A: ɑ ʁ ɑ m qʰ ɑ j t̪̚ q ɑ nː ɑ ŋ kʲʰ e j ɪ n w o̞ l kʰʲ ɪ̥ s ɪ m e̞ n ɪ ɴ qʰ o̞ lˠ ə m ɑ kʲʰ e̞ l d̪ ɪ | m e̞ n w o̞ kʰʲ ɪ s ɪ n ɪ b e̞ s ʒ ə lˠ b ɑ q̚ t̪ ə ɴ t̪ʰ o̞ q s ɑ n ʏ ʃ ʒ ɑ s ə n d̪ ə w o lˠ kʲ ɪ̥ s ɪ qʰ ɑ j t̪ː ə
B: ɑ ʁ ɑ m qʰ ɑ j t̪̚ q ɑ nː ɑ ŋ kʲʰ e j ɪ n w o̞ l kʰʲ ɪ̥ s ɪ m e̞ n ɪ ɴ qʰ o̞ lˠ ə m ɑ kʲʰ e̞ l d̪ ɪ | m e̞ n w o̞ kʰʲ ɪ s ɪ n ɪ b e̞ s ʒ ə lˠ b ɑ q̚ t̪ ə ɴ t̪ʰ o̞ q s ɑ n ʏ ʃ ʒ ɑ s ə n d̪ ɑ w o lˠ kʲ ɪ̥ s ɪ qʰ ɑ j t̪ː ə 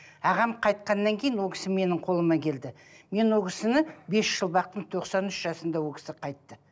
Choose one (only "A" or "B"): B